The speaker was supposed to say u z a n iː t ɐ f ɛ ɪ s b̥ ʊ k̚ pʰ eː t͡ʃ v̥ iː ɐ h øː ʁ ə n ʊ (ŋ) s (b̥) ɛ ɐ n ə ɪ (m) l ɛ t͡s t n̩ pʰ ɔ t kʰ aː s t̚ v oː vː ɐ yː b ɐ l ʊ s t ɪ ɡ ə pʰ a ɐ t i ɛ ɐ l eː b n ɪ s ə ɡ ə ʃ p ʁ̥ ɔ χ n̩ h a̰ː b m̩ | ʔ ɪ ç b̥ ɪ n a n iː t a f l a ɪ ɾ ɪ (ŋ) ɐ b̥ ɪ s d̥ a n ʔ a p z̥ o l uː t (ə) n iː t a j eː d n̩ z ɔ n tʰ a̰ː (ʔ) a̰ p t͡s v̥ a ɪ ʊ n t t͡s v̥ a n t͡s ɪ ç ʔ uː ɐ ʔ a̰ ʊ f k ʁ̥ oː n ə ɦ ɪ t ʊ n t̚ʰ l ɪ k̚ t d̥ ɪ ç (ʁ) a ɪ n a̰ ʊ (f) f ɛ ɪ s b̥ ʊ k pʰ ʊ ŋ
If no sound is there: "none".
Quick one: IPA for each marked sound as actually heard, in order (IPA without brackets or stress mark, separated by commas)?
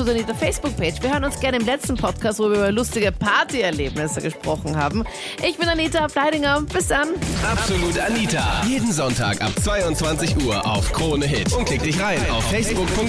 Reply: n, ɡ̥, m, ŋ, a, k, ʁ, f